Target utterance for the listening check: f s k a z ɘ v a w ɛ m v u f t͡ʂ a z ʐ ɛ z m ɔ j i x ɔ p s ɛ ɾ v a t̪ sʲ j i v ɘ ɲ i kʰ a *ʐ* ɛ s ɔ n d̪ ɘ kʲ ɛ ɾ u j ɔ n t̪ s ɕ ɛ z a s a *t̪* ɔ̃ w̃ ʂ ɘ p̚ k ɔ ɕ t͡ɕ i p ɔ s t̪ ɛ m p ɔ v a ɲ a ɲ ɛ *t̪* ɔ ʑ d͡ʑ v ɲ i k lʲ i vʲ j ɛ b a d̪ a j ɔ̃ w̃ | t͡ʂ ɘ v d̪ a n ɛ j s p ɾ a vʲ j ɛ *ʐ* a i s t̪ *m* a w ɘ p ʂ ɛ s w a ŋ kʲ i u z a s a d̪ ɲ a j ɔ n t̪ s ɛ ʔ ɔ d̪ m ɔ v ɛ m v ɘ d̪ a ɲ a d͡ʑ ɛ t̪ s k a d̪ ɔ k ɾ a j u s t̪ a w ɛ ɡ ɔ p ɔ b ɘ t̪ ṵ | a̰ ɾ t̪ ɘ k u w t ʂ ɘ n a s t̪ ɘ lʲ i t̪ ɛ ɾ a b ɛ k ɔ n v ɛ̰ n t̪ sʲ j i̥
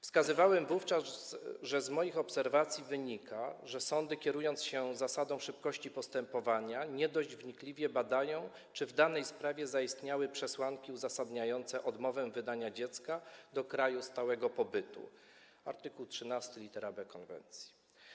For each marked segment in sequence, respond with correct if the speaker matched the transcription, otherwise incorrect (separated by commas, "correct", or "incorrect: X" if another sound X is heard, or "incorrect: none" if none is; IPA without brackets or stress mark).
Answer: correct, incorrect: d̪, incorrect: d̪, incorrect: z, incorrect: ɲ